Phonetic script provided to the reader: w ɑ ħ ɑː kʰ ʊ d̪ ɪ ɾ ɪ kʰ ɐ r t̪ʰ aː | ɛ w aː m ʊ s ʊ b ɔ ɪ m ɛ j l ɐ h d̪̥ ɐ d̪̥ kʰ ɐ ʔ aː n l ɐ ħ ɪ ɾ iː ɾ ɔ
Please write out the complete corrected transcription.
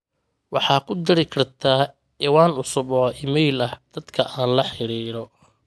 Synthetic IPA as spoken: w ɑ ħ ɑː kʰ ʊ d̪ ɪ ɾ ɪ kʰ ɐ r t̪ʰ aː | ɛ w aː n ʊ s ʊ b ɔ ɪ m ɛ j l ɐ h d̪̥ ɐ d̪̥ kʰ ɐ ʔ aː n l ɐ ħ ɪ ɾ iː ɾ ɔ